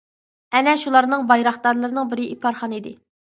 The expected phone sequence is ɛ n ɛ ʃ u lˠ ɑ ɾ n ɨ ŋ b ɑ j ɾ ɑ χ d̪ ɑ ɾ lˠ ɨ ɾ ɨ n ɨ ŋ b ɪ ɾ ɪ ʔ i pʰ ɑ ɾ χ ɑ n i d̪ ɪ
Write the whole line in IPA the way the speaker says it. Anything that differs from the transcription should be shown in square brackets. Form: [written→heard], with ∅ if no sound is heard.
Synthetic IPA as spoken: ɛ n ɛ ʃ u lˠ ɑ ɾ n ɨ ŋ b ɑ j ɾ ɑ χ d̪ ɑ ɾ lˠ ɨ ɾ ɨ n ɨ ŋ b ɪ ɾ ɪ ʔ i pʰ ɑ ɾ χ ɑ n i d̪ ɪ